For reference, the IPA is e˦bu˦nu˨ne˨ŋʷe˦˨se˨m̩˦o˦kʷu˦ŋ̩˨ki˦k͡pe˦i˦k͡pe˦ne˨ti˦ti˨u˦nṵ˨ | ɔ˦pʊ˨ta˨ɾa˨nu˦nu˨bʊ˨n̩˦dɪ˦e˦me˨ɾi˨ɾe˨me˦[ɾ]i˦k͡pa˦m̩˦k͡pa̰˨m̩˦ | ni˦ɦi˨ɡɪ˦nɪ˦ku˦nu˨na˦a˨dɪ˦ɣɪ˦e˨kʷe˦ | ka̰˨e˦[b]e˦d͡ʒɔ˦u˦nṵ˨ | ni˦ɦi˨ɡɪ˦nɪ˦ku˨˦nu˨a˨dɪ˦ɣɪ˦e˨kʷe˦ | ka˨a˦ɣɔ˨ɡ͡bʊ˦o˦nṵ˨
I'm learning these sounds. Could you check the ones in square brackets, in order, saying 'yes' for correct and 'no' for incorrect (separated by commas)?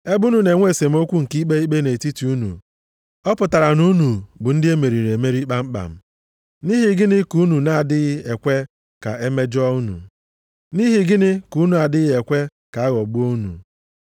yes, no